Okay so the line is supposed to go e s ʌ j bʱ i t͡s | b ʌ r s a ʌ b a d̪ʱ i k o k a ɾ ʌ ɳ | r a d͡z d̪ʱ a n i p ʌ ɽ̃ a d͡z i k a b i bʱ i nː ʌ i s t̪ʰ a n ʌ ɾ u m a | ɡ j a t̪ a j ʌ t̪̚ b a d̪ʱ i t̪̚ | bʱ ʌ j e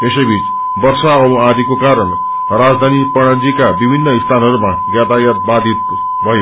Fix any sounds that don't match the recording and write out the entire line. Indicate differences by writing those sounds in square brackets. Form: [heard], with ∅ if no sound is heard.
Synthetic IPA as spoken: e s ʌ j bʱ i t͡s | b ʌ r s a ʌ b a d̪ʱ i k o k a ɾ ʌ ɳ | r a d͡z d̪ʱ a n i p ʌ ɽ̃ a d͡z i k a b i bʱ i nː ʌ i s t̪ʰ a n ʌ ɾ u m a | ɡ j a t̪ a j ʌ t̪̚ b a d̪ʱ i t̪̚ | bʱ ʌ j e